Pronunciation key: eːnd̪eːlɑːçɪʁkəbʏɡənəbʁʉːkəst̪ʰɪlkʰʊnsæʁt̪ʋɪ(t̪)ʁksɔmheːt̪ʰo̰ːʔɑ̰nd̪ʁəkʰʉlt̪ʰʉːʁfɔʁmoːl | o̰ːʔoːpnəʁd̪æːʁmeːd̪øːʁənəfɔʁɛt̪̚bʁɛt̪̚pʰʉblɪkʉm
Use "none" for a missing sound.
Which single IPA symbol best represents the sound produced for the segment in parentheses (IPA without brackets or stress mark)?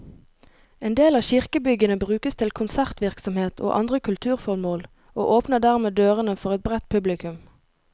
none